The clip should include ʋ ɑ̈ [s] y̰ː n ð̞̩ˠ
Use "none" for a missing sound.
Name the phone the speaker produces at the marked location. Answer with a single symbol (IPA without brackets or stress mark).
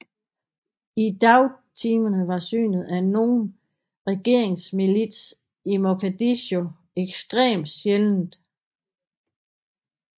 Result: s